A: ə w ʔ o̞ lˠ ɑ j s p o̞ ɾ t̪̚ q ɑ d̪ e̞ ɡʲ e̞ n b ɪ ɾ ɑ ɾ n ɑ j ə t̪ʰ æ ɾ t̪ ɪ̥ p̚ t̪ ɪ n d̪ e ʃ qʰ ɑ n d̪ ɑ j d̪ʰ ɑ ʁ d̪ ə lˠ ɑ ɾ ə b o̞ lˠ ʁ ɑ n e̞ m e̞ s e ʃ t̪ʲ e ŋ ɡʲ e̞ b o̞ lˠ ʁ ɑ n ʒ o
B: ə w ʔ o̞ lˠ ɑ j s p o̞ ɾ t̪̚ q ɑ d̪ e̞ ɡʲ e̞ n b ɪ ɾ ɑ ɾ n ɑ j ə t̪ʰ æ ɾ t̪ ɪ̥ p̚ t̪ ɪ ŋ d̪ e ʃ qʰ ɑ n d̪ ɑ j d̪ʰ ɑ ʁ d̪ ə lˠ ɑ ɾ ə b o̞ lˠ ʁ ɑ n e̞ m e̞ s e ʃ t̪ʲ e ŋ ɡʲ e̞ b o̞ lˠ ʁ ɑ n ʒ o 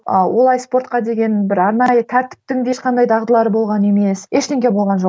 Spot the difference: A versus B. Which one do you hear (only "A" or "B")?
B